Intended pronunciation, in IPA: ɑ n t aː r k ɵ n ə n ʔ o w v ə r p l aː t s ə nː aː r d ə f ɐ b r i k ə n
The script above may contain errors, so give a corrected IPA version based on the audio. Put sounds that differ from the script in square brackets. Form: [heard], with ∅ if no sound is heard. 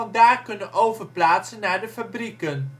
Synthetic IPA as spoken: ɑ n [d] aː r k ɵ n ə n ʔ o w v ə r p l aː t s ə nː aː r d ə f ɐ b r i k ə n